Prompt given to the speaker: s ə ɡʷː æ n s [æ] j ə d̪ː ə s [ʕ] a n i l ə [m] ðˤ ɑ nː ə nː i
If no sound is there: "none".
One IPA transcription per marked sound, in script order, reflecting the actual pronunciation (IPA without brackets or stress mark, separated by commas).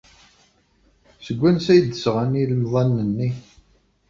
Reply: æ, ʁ, m